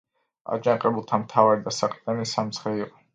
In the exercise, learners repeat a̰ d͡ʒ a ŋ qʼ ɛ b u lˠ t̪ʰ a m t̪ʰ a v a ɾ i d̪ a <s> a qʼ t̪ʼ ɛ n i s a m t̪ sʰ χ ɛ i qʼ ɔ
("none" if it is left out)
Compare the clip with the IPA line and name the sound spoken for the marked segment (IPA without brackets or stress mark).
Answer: s